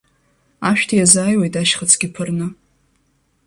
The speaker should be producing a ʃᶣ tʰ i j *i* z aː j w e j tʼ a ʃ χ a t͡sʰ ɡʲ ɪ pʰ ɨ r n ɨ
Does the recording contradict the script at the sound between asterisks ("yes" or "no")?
yes